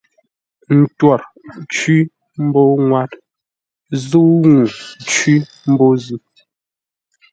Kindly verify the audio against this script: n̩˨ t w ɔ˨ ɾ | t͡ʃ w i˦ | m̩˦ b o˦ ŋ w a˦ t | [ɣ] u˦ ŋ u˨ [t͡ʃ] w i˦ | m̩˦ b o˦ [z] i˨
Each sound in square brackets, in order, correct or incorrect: incorrect: z, correct, correct

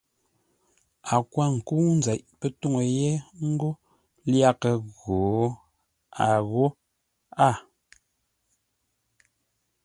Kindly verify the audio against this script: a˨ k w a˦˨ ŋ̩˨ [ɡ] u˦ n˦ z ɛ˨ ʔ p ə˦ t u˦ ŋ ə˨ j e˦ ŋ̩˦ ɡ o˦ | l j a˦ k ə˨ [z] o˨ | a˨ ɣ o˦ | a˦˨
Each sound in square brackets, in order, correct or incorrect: incorrect: k, incorrect: ɣ

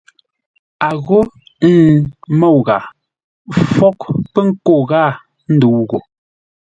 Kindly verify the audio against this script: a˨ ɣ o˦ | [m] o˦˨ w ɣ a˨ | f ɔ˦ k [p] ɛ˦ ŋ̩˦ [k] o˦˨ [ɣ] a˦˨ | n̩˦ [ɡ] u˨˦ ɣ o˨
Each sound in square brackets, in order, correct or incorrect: correct, correct, correct, correct, incorrect: d

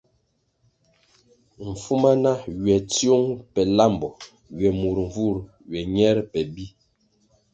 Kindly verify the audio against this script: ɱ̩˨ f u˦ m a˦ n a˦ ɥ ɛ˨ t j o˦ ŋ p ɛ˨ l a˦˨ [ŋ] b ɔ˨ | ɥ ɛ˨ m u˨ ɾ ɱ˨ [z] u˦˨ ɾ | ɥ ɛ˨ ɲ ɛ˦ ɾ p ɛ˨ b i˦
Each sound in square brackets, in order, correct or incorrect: incorrect: m, incorrect: v

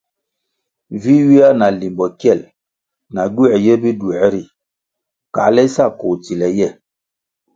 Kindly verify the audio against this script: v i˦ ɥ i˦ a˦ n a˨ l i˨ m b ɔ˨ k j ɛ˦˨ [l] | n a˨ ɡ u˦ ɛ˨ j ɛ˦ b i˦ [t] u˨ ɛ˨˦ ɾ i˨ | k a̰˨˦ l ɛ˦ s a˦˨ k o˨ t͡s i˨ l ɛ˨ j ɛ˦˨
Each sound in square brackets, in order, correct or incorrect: correct, incorrect: d

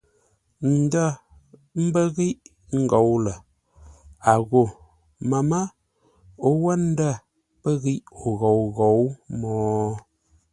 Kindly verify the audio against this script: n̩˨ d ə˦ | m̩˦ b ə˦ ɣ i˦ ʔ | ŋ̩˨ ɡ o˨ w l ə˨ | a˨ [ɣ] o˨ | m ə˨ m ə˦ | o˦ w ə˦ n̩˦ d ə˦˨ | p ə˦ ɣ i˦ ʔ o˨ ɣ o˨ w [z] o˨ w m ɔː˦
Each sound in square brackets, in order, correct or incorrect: correct, incorrect: ɣ

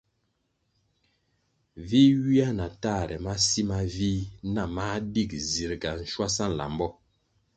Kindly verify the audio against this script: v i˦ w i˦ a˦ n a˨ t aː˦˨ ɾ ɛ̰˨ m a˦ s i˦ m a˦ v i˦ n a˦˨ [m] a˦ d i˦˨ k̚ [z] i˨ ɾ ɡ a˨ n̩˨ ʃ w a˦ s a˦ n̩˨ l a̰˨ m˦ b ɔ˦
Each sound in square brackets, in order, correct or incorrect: correct, correct

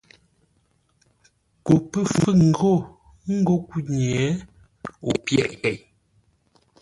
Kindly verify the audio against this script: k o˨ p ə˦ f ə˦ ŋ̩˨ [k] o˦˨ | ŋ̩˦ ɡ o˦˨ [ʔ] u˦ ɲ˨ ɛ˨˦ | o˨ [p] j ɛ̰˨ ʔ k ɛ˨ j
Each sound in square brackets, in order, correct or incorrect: incorrect: ɡ, incorrect: k, correct

